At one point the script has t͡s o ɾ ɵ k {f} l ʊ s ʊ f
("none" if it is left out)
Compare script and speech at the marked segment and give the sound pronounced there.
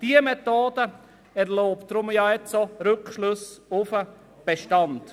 ʃ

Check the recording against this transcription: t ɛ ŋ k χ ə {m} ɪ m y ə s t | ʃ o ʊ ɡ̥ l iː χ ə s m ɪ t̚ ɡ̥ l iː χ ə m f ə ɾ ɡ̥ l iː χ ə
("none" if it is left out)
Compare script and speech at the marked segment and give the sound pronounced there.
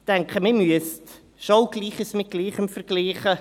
m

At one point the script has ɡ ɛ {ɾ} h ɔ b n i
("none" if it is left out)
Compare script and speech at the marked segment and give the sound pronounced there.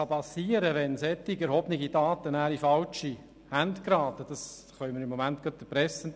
ɾ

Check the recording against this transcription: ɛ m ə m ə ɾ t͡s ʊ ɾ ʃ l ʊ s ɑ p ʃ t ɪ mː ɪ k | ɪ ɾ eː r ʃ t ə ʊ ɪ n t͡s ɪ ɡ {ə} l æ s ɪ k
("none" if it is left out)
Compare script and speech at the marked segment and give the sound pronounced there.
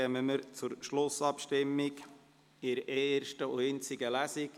ə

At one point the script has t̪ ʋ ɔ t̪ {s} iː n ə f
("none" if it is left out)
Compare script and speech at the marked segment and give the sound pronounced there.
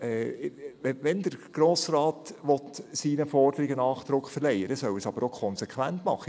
s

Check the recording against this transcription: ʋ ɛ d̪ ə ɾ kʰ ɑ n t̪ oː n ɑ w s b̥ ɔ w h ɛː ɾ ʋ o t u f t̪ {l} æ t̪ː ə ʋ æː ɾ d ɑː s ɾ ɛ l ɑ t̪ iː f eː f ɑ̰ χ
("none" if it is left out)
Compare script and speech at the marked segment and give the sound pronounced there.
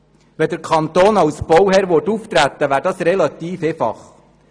ɾ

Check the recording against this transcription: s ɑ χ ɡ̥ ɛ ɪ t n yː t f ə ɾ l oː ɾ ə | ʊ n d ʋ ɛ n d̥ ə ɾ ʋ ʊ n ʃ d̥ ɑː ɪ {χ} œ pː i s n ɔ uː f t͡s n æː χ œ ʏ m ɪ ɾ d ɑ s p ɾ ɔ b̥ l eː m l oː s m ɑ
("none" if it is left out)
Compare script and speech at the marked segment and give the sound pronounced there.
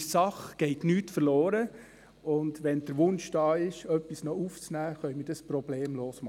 ʃ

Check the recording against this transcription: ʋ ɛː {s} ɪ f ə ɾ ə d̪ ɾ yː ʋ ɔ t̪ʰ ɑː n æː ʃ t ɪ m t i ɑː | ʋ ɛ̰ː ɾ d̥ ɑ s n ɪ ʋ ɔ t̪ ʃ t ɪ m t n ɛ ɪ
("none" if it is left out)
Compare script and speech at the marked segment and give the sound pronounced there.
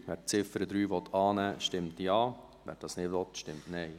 t͡s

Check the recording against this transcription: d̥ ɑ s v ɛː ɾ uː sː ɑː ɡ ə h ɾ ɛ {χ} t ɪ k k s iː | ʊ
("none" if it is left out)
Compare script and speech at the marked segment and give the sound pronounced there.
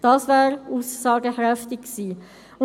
f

